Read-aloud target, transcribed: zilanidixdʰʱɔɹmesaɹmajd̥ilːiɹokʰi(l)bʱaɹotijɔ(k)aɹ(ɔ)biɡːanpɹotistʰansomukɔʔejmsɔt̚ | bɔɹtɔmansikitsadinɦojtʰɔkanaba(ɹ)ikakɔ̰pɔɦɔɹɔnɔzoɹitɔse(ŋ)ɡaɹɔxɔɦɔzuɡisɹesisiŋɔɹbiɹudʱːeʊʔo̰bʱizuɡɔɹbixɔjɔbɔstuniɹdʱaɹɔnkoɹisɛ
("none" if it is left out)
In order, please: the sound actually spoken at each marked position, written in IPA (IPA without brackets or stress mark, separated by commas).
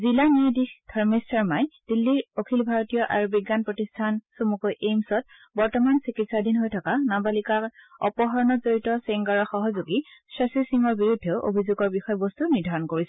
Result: l, ʔ, u, l, ŋ